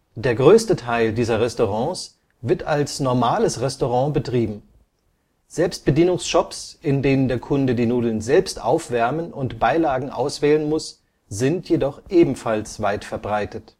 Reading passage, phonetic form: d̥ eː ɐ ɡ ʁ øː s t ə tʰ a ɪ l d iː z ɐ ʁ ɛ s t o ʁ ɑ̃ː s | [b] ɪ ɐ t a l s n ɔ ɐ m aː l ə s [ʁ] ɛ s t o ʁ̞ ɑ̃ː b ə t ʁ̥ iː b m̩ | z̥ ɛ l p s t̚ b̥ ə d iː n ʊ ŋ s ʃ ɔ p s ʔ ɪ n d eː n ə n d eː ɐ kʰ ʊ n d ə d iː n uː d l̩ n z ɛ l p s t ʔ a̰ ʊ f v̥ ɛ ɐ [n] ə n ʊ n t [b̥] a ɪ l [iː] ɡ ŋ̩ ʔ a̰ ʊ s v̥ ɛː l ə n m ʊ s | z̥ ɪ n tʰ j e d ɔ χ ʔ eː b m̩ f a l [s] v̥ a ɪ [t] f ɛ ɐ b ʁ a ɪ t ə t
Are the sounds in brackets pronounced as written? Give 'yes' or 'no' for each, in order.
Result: no, yes, no, yes, no, yes, yes

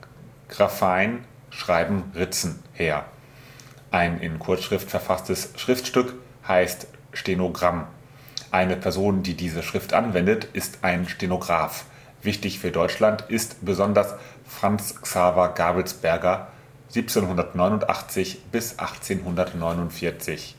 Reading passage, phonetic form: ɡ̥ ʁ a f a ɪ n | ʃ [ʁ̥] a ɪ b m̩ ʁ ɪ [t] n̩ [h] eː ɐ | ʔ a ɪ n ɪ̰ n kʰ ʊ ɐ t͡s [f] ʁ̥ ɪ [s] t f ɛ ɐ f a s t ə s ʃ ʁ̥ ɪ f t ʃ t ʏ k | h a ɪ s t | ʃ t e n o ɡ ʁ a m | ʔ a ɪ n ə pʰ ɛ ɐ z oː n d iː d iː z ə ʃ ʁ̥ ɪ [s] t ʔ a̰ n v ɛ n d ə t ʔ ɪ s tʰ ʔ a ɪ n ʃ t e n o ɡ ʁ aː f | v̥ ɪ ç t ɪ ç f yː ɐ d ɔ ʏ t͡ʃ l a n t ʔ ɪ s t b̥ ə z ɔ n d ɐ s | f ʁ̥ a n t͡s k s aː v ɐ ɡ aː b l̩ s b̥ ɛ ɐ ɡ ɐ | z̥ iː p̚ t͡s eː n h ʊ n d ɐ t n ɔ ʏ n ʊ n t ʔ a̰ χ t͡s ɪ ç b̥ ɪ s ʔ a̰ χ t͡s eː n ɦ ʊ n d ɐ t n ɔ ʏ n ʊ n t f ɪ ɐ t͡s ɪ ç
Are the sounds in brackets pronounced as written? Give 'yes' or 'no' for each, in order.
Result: yes, no, yes, no, no, no

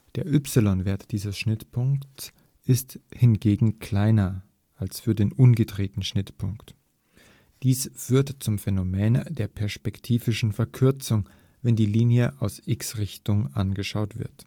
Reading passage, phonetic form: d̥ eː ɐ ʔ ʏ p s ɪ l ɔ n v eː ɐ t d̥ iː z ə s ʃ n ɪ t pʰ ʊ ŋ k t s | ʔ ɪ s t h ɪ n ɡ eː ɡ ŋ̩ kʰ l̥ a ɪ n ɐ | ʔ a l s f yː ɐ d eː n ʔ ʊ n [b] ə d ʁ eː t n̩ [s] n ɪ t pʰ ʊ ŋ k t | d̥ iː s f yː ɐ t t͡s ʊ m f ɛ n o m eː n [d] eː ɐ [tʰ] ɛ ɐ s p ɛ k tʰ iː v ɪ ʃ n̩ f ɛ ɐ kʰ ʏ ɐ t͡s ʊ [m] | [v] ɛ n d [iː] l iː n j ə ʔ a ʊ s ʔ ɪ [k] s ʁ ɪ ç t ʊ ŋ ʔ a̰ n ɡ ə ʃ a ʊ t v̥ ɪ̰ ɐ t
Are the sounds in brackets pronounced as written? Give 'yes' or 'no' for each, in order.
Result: no, no, yes, no, no, yes, yes, yes

